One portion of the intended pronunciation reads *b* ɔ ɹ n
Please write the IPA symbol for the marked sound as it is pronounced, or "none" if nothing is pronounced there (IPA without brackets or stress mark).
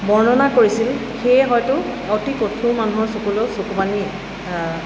b